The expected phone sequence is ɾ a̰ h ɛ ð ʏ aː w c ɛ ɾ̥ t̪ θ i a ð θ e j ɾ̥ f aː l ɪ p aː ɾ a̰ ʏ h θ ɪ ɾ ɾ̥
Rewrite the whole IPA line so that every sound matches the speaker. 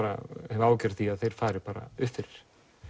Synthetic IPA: ɾ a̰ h ɛ v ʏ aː w c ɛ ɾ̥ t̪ θ i a ð θ e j ɾ̥ f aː ɾ ɪ p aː ɾ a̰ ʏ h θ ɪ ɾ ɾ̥